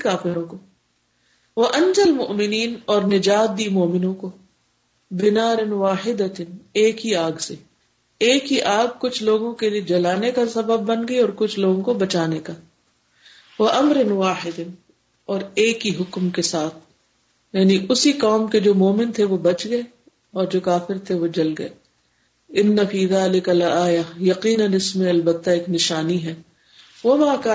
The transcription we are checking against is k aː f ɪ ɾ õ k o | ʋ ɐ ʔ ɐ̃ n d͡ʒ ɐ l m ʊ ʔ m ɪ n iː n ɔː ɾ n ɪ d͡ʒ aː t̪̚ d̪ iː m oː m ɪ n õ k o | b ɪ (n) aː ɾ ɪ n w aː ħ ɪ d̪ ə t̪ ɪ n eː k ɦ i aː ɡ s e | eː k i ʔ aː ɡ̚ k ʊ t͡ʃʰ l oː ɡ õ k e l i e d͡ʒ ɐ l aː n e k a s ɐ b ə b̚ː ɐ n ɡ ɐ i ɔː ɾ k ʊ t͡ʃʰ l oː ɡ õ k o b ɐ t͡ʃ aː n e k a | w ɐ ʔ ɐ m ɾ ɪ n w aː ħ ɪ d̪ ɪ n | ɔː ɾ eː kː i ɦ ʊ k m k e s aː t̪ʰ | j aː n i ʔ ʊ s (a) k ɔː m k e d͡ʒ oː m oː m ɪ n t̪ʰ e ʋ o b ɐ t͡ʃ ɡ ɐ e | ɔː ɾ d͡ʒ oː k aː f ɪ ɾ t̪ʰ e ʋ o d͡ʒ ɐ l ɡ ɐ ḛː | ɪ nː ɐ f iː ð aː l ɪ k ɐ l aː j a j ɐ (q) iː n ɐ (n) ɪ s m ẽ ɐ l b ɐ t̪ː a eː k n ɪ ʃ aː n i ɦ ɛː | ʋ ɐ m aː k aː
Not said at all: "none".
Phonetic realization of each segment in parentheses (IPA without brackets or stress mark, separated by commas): n, i, q, n